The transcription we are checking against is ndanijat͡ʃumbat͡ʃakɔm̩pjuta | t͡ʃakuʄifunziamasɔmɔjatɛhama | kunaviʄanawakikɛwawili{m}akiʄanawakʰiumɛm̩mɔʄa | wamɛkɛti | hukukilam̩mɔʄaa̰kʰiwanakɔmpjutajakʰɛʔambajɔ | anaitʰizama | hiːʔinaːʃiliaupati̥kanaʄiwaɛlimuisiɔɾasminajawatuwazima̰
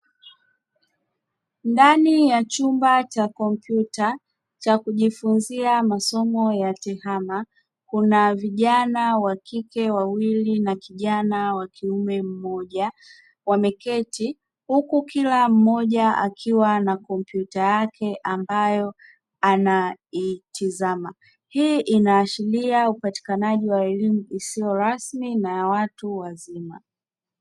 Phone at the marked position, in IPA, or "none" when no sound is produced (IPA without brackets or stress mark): n